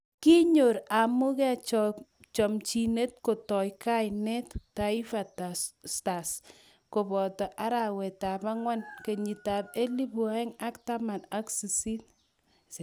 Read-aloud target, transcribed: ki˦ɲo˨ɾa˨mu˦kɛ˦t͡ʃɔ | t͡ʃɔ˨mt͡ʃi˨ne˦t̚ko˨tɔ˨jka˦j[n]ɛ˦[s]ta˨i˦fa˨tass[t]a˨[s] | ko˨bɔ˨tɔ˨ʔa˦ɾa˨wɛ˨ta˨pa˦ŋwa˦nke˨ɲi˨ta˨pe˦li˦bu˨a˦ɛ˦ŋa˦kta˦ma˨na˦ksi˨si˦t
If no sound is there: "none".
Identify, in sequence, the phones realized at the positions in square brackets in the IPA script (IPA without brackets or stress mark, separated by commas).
n, t, t, s